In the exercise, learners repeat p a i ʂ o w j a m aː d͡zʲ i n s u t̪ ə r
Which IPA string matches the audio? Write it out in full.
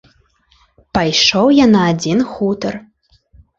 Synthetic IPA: p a j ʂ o w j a n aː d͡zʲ i n x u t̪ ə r